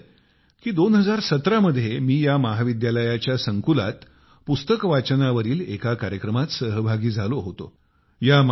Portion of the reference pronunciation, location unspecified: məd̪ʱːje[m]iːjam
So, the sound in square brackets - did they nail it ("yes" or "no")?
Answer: yes